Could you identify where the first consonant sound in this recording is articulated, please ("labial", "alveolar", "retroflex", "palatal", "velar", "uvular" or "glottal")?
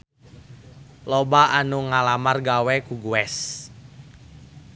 alveolar